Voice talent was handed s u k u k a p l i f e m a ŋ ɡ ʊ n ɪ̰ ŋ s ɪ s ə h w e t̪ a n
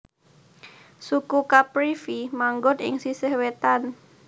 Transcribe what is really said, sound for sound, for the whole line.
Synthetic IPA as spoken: s u k u k a p ɾ i f i m a ŋ ɡ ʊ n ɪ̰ ŋ s i s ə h w e t̪ a n